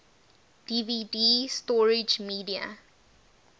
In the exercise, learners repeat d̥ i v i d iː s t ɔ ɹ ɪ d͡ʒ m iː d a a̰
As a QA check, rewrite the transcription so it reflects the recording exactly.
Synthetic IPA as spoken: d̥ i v i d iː s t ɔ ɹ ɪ d͡ʒ m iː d i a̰